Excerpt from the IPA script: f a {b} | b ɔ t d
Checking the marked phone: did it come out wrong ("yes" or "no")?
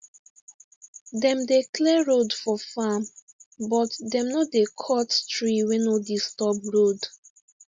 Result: yes